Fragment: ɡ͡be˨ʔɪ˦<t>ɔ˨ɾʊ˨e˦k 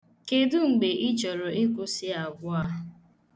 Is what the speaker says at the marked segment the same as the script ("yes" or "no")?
no